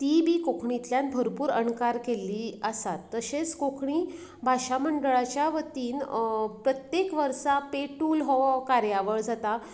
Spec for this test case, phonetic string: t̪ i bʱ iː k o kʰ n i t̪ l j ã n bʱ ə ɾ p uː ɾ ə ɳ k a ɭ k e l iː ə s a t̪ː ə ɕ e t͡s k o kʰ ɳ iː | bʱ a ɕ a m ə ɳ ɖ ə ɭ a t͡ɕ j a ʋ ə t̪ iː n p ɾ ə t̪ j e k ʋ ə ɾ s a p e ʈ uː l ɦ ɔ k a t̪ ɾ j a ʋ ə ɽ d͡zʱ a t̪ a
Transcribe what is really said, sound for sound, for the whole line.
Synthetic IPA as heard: t̪ i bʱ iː k o kʰ ɳ i t̪ l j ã n bʱ ə ɾ p uː ɾ ə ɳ k a ɾ k e l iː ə s a t̪ː ə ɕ e t͡s k o kʰ ɳ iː | bʱ a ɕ a m ə ɳ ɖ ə ɭ a t͡ɕ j a ʋ ə t̪ iː n p ɾ ə t̪ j e k ʋ ə ɾ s a p e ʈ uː l ɦ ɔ k a ɾ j a ʋ ə ɭ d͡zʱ a t̪ a

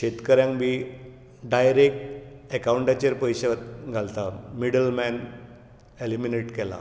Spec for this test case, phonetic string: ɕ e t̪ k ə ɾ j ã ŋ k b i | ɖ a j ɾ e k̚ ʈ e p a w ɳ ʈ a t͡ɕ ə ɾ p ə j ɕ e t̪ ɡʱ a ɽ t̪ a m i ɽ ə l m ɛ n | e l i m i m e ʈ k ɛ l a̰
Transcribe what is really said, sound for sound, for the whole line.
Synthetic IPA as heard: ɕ e t̪ k ə ɾ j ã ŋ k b i | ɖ a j ɾ e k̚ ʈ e k a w ɳ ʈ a t͡ɕ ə ɾ p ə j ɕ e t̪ ɡʱ a l t̪ a m i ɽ ə l m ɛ n | e l i m i n e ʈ k ɛ l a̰

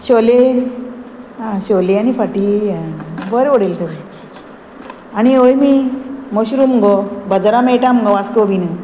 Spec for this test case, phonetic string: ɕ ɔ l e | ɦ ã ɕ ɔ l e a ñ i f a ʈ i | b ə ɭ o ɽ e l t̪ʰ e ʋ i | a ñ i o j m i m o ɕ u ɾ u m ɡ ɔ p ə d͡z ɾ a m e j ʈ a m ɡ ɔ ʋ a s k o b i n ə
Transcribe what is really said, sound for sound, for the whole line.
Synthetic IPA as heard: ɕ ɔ l e | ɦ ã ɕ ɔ l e a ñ i f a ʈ i | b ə ɾ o ɽ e l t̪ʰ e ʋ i | a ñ i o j m i m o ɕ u ɾ u m ɡ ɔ b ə d͡z ɾ a m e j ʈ a m ɡ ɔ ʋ a s k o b i n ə

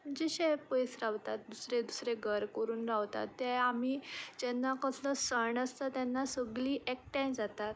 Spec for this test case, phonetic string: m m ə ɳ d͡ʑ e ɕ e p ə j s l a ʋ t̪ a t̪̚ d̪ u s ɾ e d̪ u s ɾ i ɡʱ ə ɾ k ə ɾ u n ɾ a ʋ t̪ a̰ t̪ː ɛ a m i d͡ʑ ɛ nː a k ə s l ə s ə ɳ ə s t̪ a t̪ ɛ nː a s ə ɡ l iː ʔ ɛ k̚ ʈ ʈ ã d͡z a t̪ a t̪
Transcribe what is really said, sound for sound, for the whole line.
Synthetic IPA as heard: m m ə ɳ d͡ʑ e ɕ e p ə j s ɾ a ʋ t̪ a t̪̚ d̪ u s ɾ e d̪ u s ɾ e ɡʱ ə ɾ k ə ɾ uː n ɾ a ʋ t̪ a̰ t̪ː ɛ a m i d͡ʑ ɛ nː a k ə s l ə s ə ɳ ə s t̪ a t̪ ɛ nː a s ə ɡ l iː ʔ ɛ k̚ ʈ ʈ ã d͡z a t̪ a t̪

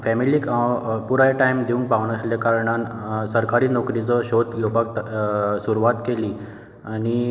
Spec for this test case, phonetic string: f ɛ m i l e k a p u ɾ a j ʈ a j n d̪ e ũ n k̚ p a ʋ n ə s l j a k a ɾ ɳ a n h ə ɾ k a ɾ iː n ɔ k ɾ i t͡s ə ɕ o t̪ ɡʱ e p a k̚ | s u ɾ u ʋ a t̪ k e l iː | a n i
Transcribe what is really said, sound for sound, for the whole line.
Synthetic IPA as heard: f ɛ m i l i k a p u ɾ a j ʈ a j m d̪ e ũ ŋ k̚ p a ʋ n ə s l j a k a ɾ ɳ a n s ə ɾ k a ɾ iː n ɔ k ɾ i t͡s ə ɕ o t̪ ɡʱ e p a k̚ | s u ɾ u ʋ a t̪ k e l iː | a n i

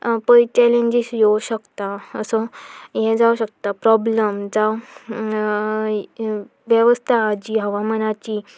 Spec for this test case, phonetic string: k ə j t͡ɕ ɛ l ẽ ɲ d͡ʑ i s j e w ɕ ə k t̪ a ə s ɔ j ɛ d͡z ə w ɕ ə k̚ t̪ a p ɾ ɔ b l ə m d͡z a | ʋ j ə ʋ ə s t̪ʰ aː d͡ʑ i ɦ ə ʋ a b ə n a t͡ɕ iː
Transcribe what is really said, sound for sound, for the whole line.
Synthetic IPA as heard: p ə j t͡ɕ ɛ l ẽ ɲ d͡ʑ i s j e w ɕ ə k t̪ a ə s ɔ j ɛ d͡z a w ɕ ə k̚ t̪ a p ɾ ɔ b l ə m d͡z a | ʋ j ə ʋ ə s t̪ʰ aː d͡ʑ i ɦ ə ʋ a m ə n a t͡ɕ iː

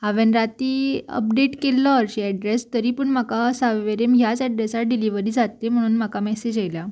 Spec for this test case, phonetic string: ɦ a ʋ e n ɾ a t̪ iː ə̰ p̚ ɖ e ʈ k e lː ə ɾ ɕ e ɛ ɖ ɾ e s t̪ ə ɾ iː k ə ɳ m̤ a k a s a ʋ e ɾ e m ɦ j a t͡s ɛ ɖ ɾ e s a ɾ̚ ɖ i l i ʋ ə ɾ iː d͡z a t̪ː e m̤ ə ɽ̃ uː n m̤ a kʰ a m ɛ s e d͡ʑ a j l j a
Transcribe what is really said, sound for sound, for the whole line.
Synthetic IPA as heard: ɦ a ʋ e n ɾ a t̪ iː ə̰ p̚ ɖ e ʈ k e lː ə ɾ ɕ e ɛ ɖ ɾ e s t̪ ə ɾ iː p ə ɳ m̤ a k a s a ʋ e ɾ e m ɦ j a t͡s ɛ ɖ ɾ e s a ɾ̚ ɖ i l i ʋ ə ɾ iː d͡z a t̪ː e m̤ ə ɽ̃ uː n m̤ a k a m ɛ s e d͡ʑ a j l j a

